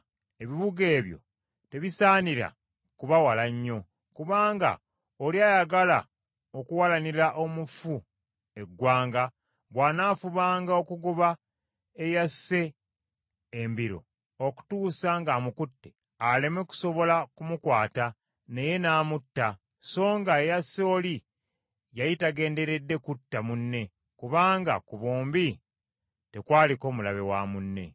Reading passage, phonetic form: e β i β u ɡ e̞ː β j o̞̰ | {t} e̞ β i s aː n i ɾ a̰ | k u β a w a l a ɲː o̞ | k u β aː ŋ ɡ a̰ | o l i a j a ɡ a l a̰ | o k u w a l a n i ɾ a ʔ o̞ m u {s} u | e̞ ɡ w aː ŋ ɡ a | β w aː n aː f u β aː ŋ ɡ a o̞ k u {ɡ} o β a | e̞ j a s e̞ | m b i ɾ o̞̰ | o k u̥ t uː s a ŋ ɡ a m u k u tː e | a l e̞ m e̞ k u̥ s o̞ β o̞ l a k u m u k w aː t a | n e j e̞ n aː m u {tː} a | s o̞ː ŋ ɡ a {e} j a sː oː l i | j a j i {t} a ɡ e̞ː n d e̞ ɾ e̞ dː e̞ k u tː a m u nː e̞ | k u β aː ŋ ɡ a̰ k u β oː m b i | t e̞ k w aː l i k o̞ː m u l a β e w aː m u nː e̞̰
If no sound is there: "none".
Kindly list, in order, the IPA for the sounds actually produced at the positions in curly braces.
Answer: t, f, ɡ, tː, e, t

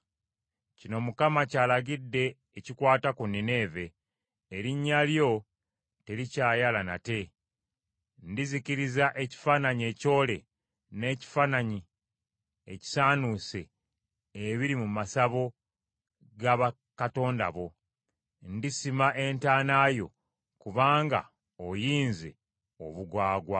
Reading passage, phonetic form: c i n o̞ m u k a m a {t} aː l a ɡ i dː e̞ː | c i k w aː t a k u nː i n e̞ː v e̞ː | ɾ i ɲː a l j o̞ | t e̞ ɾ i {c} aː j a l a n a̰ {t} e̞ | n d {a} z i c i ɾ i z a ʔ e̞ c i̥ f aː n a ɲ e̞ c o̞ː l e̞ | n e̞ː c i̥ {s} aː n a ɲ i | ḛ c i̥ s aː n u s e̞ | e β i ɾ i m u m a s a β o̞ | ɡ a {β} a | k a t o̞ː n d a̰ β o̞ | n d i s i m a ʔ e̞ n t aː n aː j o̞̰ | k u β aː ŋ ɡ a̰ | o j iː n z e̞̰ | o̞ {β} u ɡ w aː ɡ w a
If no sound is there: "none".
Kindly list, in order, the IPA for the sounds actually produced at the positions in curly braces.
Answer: c, c, t, i, f, β, β

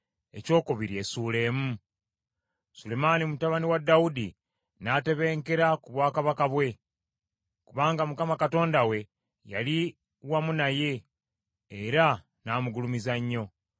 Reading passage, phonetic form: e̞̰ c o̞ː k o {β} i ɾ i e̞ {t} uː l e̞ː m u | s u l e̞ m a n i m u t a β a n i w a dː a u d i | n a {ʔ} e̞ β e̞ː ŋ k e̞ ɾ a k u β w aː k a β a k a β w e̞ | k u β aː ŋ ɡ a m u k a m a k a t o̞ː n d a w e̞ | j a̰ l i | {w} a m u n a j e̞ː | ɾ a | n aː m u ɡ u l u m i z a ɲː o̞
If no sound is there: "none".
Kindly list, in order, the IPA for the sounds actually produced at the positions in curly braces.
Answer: β, s, t, w

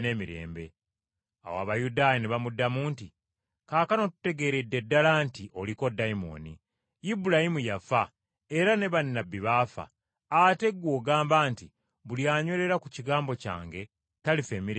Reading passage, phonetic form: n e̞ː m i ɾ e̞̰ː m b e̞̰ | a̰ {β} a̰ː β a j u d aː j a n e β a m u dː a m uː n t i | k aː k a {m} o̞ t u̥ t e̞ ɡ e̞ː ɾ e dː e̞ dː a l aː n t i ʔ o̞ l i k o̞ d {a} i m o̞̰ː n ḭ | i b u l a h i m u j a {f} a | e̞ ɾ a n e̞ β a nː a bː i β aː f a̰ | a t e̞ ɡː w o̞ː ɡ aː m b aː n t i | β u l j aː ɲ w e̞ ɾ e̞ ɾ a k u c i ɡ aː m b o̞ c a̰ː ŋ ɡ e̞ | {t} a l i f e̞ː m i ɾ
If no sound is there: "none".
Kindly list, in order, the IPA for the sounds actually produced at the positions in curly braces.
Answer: w, n, a, f, t

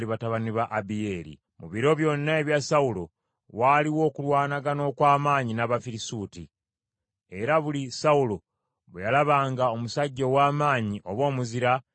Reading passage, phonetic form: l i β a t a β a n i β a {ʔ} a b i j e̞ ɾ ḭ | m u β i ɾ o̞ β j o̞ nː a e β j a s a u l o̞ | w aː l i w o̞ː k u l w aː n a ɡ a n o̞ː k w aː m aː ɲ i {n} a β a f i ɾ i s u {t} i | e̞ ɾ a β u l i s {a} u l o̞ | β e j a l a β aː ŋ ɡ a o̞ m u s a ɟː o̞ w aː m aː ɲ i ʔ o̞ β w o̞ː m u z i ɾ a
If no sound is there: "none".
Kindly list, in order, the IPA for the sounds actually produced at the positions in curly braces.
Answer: ʔ, n, t, a

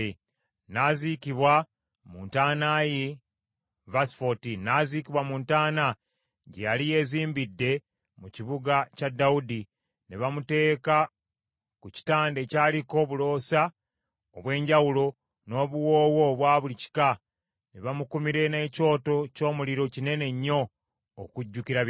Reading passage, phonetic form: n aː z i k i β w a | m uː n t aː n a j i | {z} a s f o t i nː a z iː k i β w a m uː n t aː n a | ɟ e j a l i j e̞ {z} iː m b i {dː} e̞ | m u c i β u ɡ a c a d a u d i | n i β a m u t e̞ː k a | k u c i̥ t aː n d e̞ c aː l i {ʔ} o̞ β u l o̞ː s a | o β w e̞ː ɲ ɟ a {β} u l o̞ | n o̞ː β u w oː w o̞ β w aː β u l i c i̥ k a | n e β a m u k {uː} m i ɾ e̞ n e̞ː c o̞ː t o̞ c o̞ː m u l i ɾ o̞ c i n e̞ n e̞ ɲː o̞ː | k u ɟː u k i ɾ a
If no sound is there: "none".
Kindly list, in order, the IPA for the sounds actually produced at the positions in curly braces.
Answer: v, z, dː, k, w, u

